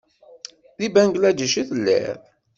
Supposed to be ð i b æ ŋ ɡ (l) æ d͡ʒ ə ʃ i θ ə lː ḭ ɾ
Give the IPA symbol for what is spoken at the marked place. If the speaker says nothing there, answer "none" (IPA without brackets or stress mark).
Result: l